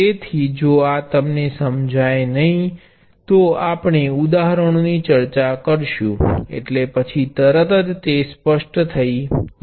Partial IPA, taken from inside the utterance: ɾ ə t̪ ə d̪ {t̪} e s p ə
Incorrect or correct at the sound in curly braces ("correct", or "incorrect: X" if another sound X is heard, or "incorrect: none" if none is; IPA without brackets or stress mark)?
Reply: correct